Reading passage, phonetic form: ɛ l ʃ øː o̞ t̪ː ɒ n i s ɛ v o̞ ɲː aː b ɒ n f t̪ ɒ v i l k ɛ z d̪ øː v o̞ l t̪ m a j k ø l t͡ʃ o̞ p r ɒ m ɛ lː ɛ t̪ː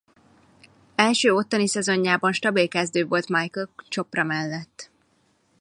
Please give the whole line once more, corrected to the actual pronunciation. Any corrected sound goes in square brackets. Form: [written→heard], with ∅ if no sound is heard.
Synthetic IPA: ɛ l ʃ øː o̞ t̪ː ɒ n i s ɛ [v→z] o̞ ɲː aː b ɒ n [f→ʃ] t̪ ɒ [v→b] i l k ɛ z d̪ øː v o̞ l t̪ m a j k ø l t͡ʃ o̞ p r ɒ m ɛ lː ɛ t̪ː

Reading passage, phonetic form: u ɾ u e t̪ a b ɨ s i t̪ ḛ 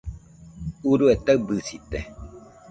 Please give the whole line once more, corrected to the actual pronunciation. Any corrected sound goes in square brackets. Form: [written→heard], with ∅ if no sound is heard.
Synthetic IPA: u ɾ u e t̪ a b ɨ s i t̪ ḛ

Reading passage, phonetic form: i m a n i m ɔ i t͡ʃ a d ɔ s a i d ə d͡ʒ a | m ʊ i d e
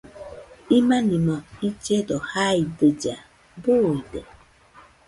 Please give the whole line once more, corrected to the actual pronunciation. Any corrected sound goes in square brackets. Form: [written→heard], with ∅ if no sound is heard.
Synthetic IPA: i m a n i m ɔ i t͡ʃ [a→e] d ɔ [s→h] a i d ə d͡ʒ a | [m→b] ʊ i d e

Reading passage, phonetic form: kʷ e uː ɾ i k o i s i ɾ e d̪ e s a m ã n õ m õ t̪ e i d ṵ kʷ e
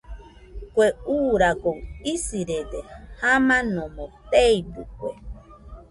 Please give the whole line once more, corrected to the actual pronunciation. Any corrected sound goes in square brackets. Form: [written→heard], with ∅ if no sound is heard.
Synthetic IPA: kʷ e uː ɾ [i→a] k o i s i ɾ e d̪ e [s→h] a m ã n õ m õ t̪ e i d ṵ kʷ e

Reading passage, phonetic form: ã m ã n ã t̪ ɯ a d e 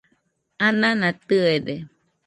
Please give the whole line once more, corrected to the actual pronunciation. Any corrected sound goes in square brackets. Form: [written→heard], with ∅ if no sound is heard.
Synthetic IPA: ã [m→n] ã n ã t̪ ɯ [a→e] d e

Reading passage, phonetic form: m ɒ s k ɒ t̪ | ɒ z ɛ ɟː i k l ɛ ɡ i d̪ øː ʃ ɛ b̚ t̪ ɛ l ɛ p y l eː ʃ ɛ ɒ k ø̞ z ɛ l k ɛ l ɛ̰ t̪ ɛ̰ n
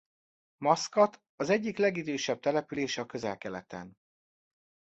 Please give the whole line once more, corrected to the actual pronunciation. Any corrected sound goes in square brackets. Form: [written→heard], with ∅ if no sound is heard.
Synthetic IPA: m ɒ s k ɒ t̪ | ɒ z ɛ ɟː i k l ɛ ɡ i d̪ øː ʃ ɛ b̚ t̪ ɛ l ɛ p y l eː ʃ ɛ ɒ k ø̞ z ɛ l k ɛ l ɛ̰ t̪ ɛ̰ n

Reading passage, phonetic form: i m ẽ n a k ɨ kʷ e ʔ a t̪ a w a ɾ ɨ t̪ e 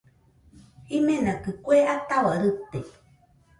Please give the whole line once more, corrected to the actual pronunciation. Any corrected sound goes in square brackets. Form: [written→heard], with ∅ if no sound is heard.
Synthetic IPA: i m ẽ n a k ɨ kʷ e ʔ a t̪ a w a ɾ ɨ t̪ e

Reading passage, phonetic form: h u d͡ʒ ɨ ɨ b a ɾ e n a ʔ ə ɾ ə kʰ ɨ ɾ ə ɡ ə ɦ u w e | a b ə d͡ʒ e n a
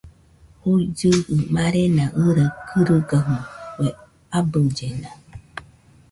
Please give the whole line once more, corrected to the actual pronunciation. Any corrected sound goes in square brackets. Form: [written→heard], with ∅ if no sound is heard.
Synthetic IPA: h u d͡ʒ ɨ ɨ [b→m] a ɾ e n a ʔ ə ɾ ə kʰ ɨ ɾ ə ɡ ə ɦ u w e | a b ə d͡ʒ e n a

